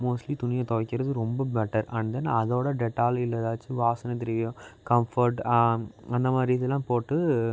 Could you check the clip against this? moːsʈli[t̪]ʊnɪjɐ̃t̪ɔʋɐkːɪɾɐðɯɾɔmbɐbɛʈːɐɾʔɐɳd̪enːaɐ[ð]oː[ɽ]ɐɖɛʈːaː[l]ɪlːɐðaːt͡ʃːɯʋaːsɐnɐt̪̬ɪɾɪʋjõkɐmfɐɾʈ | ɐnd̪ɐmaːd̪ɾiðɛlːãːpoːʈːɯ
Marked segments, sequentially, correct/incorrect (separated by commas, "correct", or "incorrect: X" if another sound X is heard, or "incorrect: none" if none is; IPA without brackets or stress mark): correct, correct, correct, correct